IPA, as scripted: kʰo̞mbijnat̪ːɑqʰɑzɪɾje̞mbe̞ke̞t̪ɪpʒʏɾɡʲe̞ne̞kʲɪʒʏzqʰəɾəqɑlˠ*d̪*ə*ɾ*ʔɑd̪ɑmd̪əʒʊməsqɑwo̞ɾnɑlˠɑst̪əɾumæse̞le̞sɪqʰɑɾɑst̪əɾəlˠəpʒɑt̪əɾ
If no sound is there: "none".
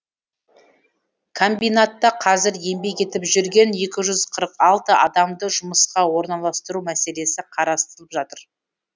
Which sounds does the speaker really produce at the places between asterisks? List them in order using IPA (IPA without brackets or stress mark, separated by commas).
t̪, none